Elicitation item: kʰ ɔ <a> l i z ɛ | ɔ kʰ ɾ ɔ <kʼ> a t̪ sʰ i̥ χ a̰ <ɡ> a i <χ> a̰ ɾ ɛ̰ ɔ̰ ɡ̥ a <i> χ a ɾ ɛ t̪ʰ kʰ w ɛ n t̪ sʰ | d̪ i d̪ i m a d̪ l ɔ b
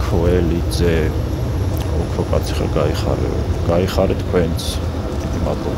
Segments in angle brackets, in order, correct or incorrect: incorrect: ɛ, correct, correct, correct, correct

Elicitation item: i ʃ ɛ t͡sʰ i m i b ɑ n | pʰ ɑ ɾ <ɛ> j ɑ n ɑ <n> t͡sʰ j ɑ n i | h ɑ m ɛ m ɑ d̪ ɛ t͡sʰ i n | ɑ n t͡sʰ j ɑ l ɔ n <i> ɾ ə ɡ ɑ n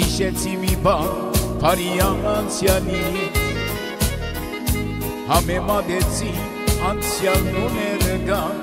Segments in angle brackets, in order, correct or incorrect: incorrect: i, correct, incorrect: ɛ

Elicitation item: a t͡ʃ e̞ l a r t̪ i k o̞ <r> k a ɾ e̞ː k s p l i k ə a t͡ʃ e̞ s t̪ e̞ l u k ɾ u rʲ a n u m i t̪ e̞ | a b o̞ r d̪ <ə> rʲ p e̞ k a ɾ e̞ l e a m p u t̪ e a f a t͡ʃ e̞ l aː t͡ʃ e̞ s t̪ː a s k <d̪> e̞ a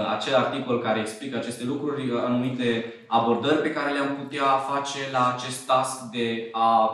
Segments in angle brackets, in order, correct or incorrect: incorrect: l, correct, correct

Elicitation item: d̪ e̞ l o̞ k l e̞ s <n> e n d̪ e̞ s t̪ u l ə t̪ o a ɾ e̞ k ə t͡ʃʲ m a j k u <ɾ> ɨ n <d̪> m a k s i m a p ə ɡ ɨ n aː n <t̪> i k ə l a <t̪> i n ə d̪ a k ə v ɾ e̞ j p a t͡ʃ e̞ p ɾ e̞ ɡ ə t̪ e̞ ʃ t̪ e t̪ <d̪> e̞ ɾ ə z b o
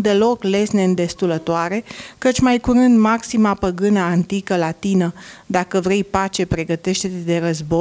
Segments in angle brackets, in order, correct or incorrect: correct, correct, correct, correct, correct, correct

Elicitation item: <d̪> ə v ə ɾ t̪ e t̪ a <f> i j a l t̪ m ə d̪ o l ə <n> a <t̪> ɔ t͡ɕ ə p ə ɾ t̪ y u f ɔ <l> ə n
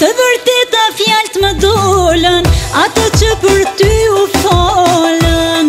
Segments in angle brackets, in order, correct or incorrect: incorrect: t̪, correct, correct, correct, correct

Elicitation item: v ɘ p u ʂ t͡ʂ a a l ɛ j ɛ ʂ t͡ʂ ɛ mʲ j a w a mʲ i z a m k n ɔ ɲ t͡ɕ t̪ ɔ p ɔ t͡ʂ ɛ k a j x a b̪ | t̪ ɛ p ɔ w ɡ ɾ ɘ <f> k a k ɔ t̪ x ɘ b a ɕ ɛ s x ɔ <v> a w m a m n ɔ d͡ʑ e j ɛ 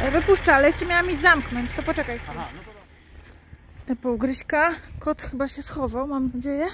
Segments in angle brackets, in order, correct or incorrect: incorrect: ɕ, correct

